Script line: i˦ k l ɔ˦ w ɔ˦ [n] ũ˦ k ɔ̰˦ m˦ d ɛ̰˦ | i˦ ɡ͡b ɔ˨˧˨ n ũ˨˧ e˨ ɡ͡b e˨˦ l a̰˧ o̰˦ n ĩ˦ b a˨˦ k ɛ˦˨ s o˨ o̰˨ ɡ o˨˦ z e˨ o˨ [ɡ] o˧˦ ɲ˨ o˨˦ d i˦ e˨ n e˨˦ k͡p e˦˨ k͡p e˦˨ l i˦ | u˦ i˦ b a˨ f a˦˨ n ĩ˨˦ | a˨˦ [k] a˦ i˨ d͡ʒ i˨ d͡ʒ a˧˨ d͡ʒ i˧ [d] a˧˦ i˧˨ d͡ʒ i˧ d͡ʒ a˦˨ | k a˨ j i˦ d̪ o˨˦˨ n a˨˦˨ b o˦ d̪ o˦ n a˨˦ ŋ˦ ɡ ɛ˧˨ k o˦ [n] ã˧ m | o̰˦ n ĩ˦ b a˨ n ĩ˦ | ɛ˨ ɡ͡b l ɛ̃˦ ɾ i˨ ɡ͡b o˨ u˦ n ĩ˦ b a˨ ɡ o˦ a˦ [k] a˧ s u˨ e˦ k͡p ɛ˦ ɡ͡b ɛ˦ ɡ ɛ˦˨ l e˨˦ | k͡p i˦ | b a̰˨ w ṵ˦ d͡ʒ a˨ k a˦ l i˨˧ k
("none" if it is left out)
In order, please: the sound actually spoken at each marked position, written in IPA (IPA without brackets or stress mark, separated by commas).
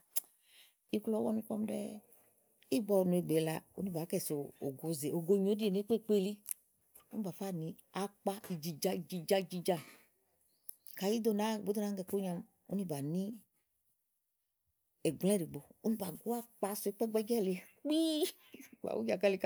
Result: n, ɡ, k͡p, d͡ʒ, ɲ, k͡p